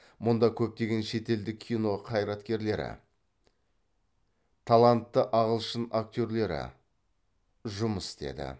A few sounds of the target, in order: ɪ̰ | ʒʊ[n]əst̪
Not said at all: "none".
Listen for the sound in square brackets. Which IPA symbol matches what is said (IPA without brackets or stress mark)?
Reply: m